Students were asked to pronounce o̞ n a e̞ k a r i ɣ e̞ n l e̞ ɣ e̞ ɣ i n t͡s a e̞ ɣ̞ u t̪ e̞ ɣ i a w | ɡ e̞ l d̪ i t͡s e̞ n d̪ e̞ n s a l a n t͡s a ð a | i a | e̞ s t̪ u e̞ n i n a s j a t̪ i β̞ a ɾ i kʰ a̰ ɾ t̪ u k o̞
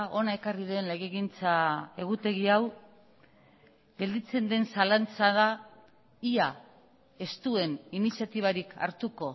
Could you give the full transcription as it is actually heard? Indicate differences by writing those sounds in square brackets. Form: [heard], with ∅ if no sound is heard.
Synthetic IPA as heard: o̞ n a e̞ k a r i [ð] e̞ n l e̞ ɣ e̞ ɣ i n t͡s a e̞ ɣ̞ u t̪ e̞ ɣ i a w | ɡ e̞ l d̪ i t͡s e̞ n d̪ e̞ n s a l a n t͡s a ð a | i a | e̞ s t̪ u e̞ n i n [i] s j a t̪ i β̞ a ɾ i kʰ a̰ ɾ t̪ u k o̞